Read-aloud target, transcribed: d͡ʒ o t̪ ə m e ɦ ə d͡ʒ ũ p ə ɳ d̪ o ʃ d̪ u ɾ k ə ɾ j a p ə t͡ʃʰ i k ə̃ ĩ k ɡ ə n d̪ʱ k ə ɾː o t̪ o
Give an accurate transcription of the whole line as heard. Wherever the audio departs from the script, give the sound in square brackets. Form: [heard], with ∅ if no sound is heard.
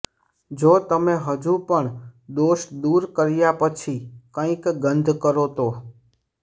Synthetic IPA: d͡ʒ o t̪ ə m e ɦ ə d͡ʒ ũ p ə ɳ d̪ o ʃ d̪ u ɾ k ə ɾ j a p ə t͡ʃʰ i k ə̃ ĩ k ɡ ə n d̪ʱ k ə [ɾ] o t̪ o